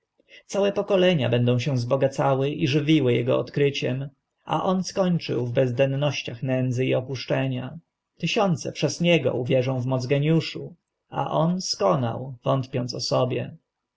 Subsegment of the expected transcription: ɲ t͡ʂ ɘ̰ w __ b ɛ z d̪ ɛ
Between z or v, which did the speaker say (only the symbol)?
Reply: v